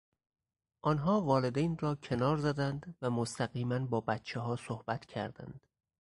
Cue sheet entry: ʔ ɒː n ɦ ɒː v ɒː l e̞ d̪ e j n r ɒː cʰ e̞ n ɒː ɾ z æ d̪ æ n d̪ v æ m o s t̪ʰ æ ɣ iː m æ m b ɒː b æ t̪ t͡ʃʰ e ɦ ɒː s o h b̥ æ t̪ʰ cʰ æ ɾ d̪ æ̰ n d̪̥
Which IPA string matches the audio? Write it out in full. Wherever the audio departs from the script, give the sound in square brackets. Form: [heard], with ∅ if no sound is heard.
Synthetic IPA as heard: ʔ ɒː n ɦ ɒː v ɒː l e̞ d̪ e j n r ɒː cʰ e̞ n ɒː ɾ z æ d̪ æ n d̪ v æ m o s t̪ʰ æ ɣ iː m æ [n] b ɒː b æ t̪ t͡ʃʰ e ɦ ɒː s o h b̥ æ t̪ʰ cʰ æ ɾ d̪ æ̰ n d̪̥